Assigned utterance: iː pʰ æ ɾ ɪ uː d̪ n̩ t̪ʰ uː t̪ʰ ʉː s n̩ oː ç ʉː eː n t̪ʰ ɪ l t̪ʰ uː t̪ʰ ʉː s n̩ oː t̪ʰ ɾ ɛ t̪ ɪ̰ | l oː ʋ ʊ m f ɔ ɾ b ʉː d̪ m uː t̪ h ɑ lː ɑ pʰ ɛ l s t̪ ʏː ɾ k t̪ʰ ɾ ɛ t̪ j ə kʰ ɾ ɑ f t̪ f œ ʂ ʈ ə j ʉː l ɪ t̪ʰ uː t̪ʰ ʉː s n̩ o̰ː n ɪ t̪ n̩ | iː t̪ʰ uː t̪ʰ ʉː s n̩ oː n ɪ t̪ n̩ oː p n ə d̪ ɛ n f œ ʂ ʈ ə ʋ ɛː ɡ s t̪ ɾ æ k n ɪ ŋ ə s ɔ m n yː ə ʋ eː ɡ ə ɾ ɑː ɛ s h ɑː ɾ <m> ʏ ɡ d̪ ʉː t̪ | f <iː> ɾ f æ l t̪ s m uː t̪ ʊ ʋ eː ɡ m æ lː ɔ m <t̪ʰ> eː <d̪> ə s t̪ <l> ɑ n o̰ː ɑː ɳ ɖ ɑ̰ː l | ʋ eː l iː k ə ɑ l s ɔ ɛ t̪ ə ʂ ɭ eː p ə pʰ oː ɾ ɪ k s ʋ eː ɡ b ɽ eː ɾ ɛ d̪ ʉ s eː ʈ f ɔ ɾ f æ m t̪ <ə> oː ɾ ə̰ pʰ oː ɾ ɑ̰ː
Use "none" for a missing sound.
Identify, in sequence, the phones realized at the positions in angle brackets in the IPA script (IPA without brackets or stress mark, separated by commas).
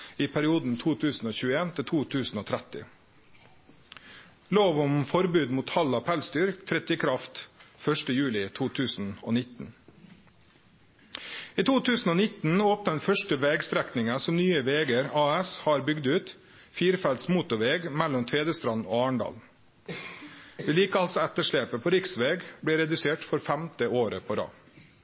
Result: b, iː, t̪ʰ, d̪, ɾ, ə